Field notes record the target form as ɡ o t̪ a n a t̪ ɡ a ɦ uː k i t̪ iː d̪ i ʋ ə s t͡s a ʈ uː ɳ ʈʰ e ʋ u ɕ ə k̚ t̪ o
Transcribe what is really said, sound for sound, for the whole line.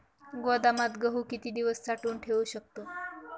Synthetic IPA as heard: ɡ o d̪ a m a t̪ ɡ ə ɦ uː k i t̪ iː d̪ i ʋ ə s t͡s a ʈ uː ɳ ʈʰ e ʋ u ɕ ə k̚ t̪ o

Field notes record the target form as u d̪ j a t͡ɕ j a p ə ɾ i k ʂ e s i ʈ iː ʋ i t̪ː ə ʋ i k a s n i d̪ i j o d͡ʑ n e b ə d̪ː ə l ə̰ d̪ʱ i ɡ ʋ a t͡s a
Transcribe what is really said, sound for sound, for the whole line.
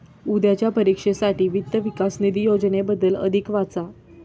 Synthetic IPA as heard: u d̪ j a t͡ɕ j a p ə ɾ i k ʂ e s a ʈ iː ʋ i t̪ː ə ʋ i k a s n i d̪ i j o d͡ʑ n e b ə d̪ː ə l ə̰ d̪ʱ i k ʋ a t͡s a

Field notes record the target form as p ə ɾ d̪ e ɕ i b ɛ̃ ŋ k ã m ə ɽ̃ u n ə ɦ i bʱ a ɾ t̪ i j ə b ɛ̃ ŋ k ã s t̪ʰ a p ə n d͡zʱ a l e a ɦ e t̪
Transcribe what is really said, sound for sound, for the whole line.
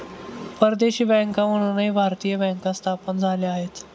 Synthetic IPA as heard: p ə ɾ d̪ e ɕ iː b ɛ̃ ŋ k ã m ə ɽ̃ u n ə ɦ i bʱ a ɾ t̪ i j ə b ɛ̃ ŋ k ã s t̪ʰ a p ə n d͡zʱ a l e a ɦ e t̪

